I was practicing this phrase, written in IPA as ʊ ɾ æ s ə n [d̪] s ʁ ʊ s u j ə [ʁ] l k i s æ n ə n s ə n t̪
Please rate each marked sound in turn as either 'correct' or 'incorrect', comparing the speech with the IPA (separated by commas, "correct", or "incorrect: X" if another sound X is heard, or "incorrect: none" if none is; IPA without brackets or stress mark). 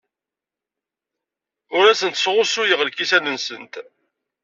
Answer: incorrect: t̪, correct